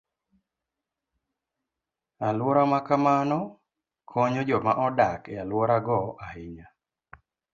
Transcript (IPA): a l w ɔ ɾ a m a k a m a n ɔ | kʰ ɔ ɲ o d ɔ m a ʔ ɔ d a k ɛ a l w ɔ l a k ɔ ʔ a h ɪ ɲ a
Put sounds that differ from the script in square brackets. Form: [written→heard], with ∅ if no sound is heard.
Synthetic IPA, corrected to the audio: a l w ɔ ɾ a m a k a m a n ɔ | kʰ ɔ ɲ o [d→d͡ʒ] ɔ m a ʔ ɔ d a k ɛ a l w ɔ [l→ɾ] a [k→ɡ] ɔ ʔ a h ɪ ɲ a